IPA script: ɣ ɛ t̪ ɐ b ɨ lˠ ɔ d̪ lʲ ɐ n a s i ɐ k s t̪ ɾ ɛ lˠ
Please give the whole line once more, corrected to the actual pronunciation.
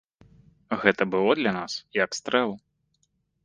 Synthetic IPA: ɣ ɛ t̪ ɐ b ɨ lˠ ɔ d̪ lʲ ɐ n a s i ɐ k s t̪ ɾ ɛ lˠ